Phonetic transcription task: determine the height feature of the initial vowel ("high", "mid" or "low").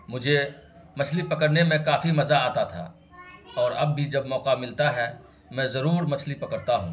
high